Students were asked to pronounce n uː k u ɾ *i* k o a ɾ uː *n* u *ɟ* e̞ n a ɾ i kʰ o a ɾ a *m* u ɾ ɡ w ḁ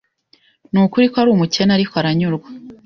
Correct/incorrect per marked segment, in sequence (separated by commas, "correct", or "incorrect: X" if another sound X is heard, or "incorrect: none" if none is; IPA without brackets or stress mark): correct, incorrect: m, incorrect: c, incorrect: ɲ